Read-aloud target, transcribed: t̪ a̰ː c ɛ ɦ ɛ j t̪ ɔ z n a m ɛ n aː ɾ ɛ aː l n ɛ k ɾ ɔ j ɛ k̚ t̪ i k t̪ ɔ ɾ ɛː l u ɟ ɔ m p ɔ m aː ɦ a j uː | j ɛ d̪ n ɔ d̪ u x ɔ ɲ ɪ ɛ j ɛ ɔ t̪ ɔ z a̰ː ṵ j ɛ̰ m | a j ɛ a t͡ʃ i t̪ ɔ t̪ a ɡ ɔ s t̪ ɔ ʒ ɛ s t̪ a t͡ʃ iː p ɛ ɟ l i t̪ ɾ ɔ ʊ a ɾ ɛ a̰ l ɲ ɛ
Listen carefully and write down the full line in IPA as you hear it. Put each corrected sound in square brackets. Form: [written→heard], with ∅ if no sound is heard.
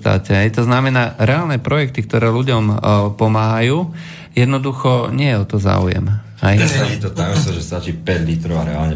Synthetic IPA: t̪ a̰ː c ɛ ɦ ɛ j t̪ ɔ z n a m ɛ n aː ɾ ɛ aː l n ɛ [k→p] ɾ ɔ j ɛ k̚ t̪ i k t̪ ɔ ɾ ɛː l u ɟ ɔ m p ɔ m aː ɦ a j uː | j ɛ d̪ n ɔ d̪ u x ɔ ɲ ɪ ɛ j ɛ ɔ t̪ ɔ z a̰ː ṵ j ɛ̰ m | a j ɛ a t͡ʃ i t̪ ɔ t̪ a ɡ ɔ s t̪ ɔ ʒ ɛ s t̪ a t͡ʃ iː p ɛ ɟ l i t̪ ɾ ɔ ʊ a ɾ ɛ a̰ l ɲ ɛ